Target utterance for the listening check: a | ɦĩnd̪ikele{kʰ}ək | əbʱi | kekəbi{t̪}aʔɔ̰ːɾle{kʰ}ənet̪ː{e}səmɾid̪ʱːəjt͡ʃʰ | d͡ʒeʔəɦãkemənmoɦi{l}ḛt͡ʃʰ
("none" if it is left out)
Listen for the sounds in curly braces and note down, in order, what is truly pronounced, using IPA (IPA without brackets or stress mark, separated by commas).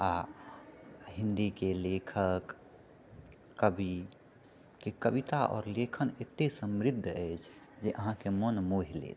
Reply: kʰ, t̪, kʰ, e, l